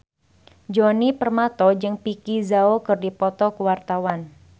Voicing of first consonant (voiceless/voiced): voiced